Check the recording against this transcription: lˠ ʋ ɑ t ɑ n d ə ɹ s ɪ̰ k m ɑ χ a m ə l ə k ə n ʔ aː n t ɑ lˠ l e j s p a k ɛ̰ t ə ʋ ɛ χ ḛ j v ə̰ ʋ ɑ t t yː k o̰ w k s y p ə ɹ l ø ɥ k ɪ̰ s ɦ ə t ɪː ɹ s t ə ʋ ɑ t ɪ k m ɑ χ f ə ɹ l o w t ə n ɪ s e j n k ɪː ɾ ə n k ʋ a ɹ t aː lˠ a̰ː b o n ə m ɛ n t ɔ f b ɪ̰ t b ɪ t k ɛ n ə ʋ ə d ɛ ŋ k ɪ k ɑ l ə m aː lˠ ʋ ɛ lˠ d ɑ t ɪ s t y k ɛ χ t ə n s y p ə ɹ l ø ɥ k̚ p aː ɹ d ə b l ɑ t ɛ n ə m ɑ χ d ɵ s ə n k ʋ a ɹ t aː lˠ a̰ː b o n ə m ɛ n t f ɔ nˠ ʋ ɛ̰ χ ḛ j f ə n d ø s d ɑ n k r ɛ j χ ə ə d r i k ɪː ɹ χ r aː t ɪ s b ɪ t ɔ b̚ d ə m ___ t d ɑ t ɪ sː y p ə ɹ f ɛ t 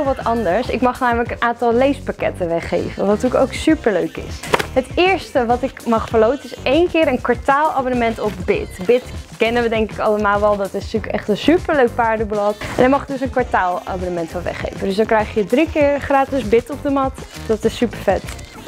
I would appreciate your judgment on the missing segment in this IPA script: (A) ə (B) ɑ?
B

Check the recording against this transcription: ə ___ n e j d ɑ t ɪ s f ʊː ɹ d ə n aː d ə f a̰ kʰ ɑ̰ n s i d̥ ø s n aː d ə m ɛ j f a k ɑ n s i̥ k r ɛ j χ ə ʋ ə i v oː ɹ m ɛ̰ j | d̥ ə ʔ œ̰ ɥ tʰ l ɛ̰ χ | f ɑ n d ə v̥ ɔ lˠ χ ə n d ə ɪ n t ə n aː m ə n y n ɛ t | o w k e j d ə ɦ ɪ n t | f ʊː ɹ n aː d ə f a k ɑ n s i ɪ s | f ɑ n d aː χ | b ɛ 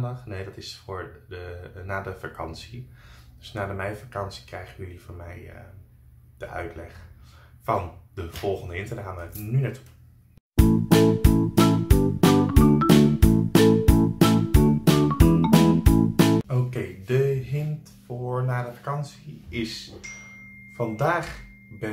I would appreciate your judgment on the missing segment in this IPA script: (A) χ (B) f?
A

